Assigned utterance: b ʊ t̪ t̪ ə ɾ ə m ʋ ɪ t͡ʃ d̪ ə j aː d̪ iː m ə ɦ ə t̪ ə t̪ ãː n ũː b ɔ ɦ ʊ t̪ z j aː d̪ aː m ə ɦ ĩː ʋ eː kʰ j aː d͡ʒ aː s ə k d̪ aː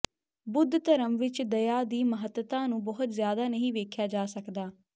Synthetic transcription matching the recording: b ʊ d̪ t̪ ə ɾ ə m ʋ ɪ t͡ʃ d̪ ə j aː d̪ iː m ə ɦ ə t̪ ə t̪ ãː n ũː b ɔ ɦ ʊ t̪ z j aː d̪ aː n ə ɦ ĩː ʋ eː kʰ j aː d͡ʒ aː s ə k d̪ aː